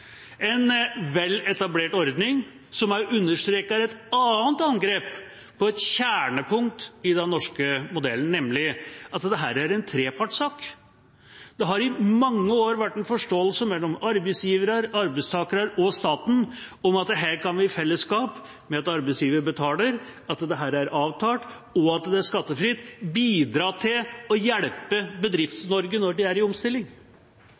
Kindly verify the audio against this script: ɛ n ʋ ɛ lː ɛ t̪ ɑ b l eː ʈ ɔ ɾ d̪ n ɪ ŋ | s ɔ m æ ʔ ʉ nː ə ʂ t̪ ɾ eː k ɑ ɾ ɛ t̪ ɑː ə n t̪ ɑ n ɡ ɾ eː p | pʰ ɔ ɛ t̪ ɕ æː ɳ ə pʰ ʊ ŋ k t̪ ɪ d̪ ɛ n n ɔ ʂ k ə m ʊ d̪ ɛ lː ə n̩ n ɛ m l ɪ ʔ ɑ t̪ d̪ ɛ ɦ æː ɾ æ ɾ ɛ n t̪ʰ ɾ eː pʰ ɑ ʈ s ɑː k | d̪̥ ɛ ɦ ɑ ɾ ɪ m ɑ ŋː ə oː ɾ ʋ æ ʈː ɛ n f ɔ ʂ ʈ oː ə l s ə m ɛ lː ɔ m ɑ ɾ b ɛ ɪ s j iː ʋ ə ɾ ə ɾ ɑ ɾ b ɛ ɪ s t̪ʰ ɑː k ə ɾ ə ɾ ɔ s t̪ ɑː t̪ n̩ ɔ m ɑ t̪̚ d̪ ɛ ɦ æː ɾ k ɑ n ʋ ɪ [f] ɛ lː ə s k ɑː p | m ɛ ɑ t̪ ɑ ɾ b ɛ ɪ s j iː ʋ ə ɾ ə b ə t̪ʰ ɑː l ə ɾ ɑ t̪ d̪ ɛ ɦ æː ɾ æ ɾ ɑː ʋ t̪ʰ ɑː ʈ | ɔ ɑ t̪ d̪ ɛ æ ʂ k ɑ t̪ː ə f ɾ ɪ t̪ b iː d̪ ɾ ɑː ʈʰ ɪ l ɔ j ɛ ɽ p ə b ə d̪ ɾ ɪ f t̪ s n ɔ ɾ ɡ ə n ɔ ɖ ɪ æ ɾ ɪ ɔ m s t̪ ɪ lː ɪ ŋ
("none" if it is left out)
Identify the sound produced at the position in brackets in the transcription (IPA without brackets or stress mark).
f